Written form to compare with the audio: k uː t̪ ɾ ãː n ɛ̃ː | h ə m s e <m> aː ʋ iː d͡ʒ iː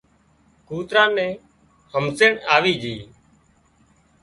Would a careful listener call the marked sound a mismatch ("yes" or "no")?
yes